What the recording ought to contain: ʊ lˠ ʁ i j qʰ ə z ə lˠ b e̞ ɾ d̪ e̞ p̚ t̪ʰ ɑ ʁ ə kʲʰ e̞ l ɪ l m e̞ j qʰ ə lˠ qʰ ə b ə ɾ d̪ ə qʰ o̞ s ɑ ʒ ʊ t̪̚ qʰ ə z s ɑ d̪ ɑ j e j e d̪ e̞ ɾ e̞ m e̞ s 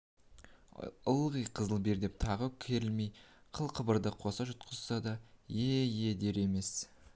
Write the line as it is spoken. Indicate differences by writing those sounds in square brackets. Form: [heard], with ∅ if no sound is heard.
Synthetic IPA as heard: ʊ lˠ ʁ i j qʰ ə z ə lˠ b e̞ ɾ d̪ e̞ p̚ t̪ʰ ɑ ʁ ə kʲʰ e̞ [ɾ] ɪ l m e̞ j qʰ ə lˠ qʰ ə b ə ɾ d̪ ə qʰ o̞ s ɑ ʒ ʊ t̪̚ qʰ ə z s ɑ d̪ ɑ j e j e d̪ e̞ ɾ e̞ m e̞ s